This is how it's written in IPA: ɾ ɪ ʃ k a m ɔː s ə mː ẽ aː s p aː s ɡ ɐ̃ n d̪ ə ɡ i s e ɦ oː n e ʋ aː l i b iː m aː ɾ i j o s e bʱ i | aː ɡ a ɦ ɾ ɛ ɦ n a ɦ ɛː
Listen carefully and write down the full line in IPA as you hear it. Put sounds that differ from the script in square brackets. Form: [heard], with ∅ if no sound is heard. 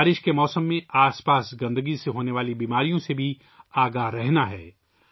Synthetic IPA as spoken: ɾ ɪ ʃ k [e] m ɔː s ə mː ẽ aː s p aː s ɡ ɐ̃ n d̪ ə ɡ i s e ɦ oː n e ʋ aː l i b iː m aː ɾ i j [õ] s e bʱ i | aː ɡ a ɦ ɾ ɛ ɦ n a ɦ ɛː